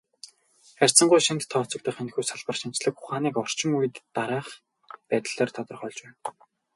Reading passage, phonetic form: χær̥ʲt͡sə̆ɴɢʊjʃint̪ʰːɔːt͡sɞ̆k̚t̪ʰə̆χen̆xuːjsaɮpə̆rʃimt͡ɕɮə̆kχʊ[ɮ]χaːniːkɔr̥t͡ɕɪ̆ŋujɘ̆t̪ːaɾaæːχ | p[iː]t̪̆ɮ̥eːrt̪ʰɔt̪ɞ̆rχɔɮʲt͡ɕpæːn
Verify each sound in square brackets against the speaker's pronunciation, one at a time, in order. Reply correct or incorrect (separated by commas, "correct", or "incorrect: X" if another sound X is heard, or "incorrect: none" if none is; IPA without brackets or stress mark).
incorrect: none, incorrect: æː